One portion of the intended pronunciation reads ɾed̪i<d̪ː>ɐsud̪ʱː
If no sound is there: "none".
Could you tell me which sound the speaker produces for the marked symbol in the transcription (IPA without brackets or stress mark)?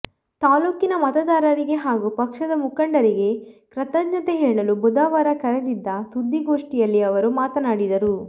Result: d̪ː